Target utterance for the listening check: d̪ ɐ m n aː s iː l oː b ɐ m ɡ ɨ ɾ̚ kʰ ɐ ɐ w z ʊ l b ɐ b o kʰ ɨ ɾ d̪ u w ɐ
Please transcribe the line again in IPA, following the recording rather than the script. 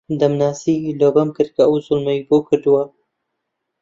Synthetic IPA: d̪ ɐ m n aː s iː l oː b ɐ m k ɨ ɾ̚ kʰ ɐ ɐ w z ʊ l m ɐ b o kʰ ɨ ɾ d̪ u w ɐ